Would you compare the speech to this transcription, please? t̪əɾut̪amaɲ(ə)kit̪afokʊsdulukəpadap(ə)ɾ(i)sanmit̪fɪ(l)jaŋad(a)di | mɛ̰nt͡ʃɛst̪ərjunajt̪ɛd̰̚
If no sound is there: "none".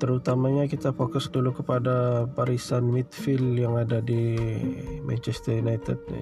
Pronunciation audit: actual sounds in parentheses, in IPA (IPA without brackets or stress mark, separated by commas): a, a, i, l, a